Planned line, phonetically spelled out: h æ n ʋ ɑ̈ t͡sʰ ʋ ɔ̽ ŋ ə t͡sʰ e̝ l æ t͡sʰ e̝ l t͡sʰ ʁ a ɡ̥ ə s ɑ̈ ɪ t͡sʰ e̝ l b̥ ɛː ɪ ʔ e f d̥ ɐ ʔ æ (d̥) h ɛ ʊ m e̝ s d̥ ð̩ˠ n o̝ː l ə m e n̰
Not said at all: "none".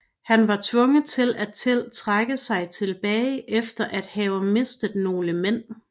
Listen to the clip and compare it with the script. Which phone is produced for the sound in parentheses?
d̥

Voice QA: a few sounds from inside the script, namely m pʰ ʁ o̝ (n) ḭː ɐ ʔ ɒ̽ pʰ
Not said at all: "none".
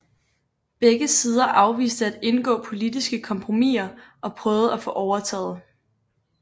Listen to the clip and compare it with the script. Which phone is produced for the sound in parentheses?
m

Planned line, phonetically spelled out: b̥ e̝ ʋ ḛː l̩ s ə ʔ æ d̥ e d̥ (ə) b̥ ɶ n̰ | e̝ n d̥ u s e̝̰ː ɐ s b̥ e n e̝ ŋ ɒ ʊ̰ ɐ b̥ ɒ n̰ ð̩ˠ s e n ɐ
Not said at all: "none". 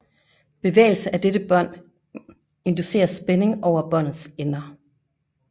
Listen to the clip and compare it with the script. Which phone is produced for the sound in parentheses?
ə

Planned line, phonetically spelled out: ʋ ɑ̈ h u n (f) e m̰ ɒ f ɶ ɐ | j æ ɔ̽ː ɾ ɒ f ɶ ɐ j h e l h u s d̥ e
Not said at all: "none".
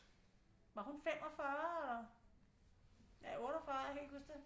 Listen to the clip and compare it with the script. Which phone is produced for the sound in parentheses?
f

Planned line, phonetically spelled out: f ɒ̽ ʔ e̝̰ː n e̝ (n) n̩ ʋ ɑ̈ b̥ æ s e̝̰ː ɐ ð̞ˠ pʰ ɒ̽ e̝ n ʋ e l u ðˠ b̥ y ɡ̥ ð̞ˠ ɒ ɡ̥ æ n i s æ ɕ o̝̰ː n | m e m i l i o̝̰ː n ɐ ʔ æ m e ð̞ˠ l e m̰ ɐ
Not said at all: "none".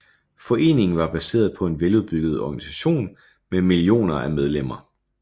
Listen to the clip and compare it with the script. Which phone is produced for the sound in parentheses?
ŋ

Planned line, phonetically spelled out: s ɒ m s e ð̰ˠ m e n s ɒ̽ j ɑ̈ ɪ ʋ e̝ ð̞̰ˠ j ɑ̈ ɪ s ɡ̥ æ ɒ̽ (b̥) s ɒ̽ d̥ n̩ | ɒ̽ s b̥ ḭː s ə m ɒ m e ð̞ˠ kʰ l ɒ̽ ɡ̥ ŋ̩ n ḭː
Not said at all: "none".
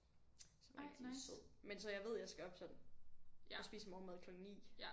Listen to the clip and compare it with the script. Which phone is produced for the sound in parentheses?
b̥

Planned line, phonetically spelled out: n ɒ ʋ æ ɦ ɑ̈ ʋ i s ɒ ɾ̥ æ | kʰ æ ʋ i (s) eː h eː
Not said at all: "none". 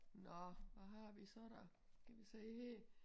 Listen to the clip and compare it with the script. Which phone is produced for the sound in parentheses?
s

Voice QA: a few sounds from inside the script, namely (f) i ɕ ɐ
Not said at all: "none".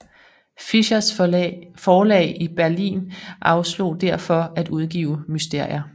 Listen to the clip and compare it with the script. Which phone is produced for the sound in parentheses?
f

